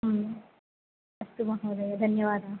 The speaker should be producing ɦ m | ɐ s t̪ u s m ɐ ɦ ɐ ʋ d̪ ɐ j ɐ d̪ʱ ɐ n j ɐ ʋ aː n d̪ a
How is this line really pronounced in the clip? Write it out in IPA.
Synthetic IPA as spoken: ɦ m | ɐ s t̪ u m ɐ ɦ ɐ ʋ d̪ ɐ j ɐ d̪ʱ ɐ n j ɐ ʋ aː d̪ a